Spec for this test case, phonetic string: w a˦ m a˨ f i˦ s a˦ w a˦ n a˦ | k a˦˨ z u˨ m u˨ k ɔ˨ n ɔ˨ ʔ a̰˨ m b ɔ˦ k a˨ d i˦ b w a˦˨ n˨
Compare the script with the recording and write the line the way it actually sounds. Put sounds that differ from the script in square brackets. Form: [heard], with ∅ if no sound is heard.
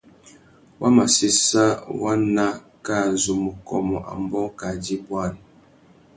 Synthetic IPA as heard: w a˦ m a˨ [s] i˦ s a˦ w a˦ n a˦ | k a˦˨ z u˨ m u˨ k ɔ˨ [m] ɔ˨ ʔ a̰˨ m b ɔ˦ k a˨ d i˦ b w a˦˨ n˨